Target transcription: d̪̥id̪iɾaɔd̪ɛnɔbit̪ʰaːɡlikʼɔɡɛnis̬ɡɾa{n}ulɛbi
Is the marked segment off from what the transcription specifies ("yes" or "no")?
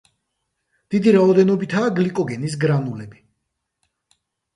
no